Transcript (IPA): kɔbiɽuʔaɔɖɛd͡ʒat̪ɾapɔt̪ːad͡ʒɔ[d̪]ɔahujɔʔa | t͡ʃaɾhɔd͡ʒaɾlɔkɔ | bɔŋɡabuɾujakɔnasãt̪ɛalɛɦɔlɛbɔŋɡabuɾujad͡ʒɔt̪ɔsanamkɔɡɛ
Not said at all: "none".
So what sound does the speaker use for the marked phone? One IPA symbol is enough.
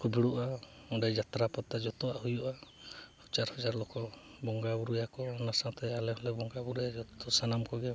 t̪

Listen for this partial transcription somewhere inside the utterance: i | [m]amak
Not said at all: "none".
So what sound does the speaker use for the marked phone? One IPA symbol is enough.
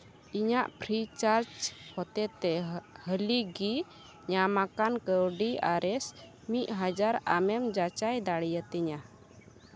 ɲ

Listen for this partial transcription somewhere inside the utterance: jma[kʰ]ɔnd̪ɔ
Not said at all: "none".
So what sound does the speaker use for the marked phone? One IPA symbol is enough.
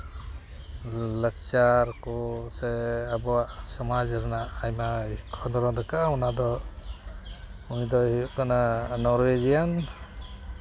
kʰ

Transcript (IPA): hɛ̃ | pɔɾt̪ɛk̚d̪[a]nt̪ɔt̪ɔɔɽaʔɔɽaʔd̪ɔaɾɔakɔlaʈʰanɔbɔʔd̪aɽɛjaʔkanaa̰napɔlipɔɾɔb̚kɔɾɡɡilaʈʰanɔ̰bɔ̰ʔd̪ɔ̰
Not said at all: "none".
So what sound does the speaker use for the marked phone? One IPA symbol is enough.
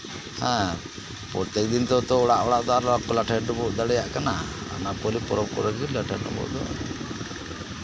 i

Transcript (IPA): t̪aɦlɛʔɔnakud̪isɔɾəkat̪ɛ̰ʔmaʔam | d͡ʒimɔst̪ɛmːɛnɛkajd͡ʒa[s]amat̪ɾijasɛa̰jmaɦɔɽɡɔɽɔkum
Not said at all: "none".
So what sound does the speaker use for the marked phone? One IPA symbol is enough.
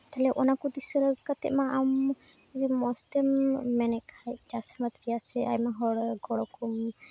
s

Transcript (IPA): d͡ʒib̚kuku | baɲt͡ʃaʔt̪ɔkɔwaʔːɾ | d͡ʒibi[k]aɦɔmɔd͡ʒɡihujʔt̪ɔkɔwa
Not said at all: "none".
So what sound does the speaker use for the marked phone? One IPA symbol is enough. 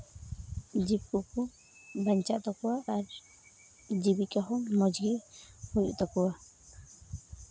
k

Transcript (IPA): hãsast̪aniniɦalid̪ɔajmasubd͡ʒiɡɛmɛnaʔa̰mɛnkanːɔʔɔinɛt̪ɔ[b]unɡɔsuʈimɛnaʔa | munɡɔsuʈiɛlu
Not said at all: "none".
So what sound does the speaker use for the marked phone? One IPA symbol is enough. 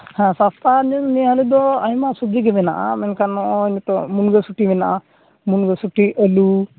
m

